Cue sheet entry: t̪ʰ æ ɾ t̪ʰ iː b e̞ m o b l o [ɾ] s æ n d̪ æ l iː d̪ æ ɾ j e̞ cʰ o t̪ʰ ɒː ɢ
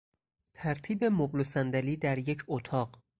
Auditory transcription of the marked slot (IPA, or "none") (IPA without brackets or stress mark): none